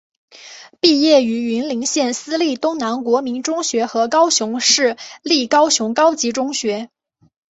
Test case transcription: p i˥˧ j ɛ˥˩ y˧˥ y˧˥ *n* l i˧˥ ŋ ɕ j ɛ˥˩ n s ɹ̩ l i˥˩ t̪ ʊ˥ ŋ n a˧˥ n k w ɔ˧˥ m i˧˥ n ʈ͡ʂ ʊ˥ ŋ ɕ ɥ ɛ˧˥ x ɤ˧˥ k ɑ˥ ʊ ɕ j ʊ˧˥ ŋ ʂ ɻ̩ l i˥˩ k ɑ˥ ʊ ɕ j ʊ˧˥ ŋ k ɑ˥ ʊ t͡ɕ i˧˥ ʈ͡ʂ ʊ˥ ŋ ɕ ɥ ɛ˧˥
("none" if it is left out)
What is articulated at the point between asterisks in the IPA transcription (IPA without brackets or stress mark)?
n